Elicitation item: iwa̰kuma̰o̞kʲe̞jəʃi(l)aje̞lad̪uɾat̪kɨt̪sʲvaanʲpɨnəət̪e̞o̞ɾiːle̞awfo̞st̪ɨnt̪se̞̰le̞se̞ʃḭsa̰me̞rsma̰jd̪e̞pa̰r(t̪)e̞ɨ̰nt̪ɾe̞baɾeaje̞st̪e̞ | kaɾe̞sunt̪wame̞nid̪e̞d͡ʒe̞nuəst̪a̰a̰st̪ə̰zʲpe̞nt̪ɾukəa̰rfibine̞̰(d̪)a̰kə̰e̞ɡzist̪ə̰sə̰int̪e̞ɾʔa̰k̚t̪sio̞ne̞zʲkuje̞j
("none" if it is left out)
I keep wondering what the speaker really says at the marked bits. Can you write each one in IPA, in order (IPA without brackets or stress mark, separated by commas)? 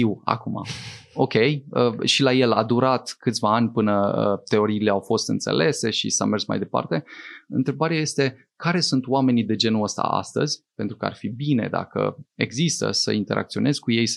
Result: l, t̪, d̪